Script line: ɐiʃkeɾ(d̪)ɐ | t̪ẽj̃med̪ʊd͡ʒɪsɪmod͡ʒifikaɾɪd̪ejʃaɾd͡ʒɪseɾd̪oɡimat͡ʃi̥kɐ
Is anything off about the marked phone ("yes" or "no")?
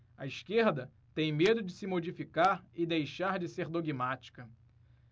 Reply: no